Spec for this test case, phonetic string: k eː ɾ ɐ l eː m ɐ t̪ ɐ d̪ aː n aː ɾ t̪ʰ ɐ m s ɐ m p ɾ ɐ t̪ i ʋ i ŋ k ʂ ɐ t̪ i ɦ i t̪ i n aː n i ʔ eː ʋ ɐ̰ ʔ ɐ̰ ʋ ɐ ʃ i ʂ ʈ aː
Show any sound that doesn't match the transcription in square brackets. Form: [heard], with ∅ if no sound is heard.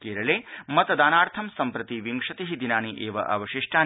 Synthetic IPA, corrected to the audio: k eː ɾ ɐ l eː m ɐ t̪ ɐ d̪ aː n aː ɾ t̪ʰ ɐ m s ɐ m p ɾ ɐ t̪ i ʋ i ŋ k ʂ ɐ t̪ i ɦ i [d̪] i n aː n i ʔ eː ʋ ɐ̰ ʔ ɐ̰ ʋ ɐ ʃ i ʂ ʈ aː